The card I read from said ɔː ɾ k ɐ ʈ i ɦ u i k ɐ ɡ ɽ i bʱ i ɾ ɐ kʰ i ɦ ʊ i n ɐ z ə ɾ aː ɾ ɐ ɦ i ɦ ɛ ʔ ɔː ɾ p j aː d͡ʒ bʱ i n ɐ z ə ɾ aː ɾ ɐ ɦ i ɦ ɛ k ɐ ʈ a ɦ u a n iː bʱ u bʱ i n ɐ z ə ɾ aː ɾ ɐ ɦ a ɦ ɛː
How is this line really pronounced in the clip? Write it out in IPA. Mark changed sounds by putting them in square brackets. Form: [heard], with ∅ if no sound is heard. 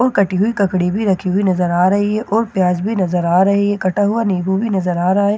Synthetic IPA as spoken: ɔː ɾ k ɐ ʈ i ɦ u i k ɐ [k] ɽ i bʱ i ɾ ɐ kʰ i ɦ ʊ i n ɐ z ə ɾ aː ɾ ɐ ɦ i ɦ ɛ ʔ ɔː ɾ p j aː d͡ʒ bʱ i n ɐ z ə ɾ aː ɾ ɐ ɦ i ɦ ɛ k ɐ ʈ a ɦ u a n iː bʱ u bʱ i n ɐ z ə ɾ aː ɾ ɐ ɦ a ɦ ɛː